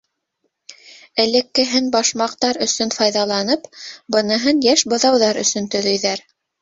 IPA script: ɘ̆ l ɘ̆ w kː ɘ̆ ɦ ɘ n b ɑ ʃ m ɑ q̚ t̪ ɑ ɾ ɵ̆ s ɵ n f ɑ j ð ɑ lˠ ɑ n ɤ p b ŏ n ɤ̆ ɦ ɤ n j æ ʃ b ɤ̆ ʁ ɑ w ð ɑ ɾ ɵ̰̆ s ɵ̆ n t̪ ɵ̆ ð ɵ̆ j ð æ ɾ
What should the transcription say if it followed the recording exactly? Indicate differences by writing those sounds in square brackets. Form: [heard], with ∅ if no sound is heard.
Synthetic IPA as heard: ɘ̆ l ɘ̆ [∅] kː ɘ̆ ɦ ɘ n b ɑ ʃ m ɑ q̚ t̪ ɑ ɾ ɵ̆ s ɵ n f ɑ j ð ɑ lˠ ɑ n ɤ p b [ɤ̆] n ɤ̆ ɦ ɤ n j æ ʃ b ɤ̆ [ð] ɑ w ð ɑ ɾ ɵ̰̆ s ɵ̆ n t̪ ɵ̆ ð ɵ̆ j ð æ ɾ